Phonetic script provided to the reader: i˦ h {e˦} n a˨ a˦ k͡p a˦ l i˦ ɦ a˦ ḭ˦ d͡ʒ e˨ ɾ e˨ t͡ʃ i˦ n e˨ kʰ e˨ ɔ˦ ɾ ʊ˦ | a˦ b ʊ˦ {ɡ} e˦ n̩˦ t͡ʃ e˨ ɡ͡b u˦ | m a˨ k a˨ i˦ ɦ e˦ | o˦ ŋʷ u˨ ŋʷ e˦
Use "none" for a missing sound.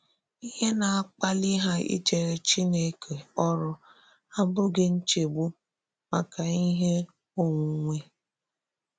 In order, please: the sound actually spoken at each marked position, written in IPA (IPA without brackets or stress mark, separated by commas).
e˦, ɡ